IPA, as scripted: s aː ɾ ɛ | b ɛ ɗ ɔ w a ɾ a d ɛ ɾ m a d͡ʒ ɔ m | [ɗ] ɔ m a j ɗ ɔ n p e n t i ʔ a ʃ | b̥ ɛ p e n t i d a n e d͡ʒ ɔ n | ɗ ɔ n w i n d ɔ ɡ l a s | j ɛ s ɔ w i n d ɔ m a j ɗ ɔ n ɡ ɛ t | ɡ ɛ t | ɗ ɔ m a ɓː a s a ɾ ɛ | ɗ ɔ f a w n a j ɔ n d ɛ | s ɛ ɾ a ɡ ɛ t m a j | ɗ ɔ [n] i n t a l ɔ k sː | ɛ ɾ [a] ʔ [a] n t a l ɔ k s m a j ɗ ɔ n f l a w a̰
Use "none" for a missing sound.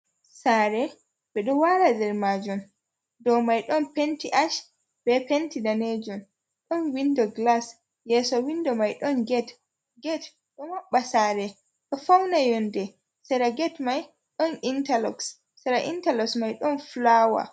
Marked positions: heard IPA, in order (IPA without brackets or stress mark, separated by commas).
d, n, a, i